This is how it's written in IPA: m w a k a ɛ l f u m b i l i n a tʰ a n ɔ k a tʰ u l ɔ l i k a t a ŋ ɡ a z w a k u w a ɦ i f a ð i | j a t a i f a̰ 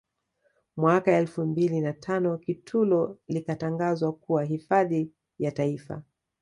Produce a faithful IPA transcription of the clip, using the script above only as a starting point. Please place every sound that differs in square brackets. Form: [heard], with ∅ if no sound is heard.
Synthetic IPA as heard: m w a k a ɛ l f u m b i l i n a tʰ a n ɔ k [i] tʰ u l ɔ l i k a t a ŋ ɡ a z w a k u w a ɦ i f a ð i | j a t a i f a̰